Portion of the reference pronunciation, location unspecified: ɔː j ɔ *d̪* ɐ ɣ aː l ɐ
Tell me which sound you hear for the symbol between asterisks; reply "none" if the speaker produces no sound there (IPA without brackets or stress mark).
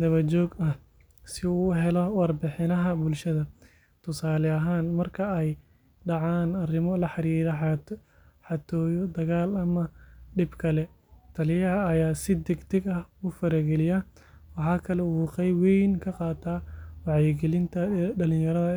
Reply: d̪